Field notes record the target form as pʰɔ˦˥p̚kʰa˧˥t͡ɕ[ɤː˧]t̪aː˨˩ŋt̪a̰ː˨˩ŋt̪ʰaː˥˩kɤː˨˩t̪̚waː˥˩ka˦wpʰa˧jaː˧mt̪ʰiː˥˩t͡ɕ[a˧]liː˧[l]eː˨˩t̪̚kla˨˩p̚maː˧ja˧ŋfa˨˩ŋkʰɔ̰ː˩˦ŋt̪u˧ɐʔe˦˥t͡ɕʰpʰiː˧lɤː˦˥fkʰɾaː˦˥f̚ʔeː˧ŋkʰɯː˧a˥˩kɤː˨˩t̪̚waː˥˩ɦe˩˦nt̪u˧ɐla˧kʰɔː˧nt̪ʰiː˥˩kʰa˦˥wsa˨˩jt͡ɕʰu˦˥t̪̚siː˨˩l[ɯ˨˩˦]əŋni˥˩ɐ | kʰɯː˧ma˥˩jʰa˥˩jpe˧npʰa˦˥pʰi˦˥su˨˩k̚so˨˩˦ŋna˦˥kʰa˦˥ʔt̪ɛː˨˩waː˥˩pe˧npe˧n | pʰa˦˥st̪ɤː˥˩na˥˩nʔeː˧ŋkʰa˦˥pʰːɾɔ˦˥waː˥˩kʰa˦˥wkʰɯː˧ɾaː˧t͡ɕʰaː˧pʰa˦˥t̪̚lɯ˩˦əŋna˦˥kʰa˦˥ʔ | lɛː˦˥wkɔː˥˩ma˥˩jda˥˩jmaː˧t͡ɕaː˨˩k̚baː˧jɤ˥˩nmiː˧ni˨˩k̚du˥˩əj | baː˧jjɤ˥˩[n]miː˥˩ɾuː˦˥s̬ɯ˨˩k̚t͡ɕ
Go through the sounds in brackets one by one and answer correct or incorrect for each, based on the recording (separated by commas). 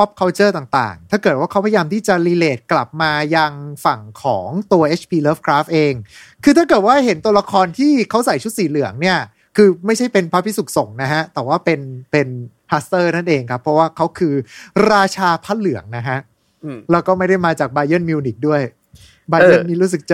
incorrect, incorrect, correct, correct, correct